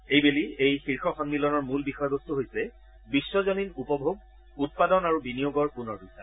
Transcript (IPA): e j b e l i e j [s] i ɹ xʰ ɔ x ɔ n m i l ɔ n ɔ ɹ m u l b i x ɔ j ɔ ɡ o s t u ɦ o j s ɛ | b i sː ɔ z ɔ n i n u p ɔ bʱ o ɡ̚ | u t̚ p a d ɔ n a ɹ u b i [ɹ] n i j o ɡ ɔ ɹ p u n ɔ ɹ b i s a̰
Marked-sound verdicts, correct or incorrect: incorrect, incorrect

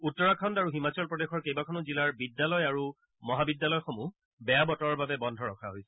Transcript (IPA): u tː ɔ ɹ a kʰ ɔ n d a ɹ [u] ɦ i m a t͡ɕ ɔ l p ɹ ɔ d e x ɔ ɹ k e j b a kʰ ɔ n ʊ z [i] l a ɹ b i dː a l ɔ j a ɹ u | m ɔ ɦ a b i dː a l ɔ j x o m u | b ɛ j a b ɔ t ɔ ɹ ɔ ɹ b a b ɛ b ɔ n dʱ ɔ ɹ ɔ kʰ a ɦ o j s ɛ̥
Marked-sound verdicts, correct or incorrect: correct, correct

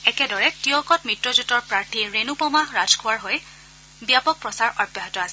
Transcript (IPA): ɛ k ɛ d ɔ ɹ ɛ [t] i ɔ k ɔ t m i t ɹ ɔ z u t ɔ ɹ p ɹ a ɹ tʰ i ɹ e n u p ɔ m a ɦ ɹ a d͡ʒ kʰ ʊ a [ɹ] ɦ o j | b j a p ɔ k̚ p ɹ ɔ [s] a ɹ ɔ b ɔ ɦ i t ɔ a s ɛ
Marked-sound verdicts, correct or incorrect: correct, correct, correct

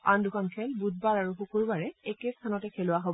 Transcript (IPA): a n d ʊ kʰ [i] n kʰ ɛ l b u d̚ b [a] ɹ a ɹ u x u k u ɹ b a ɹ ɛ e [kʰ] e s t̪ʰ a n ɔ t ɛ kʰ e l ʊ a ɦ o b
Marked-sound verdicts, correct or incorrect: incorrect, correct, incorrect

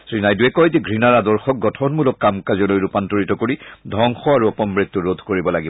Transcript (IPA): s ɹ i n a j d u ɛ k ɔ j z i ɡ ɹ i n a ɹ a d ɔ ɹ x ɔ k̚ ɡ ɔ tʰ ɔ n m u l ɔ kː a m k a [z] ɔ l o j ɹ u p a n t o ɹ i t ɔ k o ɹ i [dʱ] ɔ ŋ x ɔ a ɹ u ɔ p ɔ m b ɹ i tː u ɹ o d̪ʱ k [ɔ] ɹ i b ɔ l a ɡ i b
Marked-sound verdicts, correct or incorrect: correct, correct, incorrect

